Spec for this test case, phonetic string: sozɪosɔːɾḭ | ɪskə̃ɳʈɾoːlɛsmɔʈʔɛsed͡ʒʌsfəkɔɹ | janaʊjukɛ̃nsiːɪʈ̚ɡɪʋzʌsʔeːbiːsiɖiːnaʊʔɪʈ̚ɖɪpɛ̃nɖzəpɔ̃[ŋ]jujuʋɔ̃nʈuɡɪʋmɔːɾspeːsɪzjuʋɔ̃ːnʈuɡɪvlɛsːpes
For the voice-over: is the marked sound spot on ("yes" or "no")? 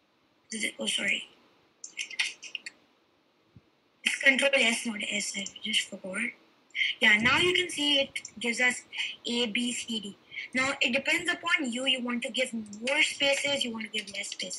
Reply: no